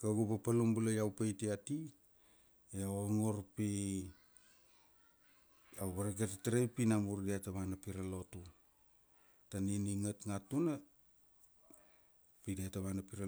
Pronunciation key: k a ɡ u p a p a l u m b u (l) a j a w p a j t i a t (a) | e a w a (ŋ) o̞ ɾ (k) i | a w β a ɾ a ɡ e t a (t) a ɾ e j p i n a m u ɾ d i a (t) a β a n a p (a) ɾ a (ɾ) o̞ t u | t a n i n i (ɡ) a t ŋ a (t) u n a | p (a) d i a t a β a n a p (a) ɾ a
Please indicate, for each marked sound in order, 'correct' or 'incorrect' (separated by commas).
correct, incorrect, correct, incorrect, correct, correct, incorrect, incorrect, incorrect, correct, incorrect, incorrect